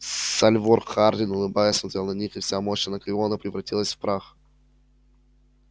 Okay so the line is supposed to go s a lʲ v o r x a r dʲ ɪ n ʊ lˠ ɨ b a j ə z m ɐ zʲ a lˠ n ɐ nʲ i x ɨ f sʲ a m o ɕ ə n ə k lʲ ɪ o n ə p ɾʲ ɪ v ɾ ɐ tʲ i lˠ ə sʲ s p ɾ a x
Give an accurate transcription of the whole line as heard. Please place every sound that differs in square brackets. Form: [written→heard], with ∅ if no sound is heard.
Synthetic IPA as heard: s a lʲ v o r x a r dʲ ɪ n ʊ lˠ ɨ b a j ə [z→s] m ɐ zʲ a lˠ n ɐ nʲ i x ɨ f sʲ a m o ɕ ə n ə k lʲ ɪ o n ə p ɾʲ ɪ v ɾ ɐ tʲ i lˠ ə sʲ [s→f] p ɾ a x